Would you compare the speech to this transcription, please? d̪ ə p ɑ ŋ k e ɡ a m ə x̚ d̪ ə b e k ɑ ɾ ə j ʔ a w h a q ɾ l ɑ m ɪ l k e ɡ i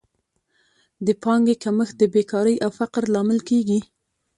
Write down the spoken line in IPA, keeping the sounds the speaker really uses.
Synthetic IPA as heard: d̪ ə p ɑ ŋ ɡ e k a m ə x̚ d̪ ə b e k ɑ ɾ ə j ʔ a w f a q ɾ l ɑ m ɪ l k e ɡ i